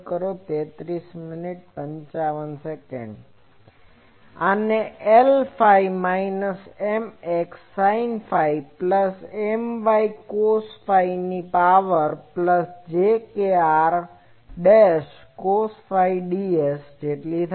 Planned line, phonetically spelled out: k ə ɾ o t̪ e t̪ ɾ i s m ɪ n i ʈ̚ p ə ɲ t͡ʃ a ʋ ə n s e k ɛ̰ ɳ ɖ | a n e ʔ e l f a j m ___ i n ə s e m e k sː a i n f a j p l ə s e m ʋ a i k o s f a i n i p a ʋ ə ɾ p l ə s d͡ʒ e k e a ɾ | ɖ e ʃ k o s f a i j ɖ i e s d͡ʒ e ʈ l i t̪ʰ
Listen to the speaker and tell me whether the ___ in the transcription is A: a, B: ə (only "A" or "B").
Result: A